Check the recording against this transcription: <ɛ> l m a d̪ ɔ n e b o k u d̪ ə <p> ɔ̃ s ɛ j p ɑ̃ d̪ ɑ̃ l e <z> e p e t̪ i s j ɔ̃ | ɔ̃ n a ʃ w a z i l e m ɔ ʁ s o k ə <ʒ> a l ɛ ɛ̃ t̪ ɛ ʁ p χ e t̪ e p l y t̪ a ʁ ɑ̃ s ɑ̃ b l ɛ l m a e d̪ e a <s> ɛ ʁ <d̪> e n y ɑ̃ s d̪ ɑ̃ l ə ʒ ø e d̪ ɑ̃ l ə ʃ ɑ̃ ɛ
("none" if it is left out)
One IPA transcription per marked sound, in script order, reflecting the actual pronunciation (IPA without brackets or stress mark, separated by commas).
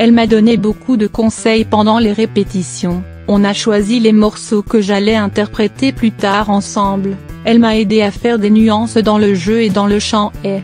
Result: ɛ, k, ʁ, ʒ, f, d̪